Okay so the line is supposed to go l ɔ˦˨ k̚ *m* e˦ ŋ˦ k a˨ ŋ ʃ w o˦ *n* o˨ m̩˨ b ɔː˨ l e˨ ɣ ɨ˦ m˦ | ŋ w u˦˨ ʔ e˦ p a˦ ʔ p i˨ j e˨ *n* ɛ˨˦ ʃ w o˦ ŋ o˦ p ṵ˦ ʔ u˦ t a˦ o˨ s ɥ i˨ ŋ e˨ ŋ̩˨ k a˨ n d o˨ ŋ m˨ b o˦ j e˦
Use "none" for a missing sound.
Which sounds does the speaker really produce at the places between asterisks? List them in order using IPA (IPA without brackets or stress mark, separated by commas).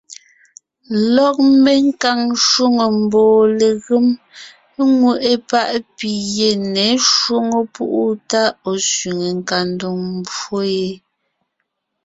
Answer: m, ŋ, n